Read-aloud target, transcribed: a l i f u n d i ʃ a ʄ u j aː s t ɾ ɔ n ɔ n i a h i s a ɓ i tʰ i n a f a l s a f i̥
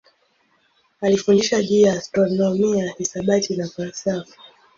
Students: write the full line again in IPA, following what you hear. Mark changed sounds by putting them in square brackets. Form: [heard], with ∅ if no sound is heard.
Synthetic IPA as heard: a l i f u n d i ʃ a ʄ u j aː s t ɾ ɔ n ɔ [m] i a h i s a ɓ [a] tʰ i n a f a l s a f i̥